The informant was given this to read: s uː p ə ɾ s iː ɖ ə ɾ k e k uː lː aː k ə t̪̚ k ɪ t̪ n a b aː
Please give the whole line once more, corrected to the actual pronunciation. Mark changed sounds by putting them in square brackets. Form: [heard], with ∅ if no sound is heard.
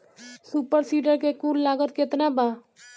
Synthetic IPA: s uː p ə ɾ s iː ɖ ə ɾ k e k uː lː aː [ɡ] ə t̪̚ k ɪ t̪ n a b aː